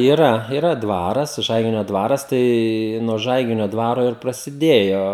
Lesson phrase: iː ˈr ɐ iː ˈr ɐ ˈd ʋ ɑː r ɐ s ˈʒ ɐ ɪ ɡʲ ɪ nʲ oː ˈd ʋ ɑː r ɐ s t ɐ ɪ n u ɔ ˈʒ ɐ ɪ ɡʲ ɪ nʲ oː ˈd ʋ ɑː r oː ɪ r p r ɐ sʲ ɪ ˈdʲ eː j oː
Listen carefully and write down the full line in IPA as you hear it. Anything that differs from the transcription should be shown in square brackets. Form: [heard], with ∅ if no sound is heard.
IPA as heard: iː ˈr ɐ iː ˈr ɐ ˈd ʋ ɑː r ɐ s ˈʒ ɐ ɪ ɡʲ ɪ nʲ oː ˈd ʋ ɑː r ɐ s t ɐ ɪ n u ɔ ˈʒ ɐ ɪ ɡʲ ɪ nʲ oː ˈd ʋ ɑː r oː ɪ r p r ɐ sʲ ɪ ˈdʲ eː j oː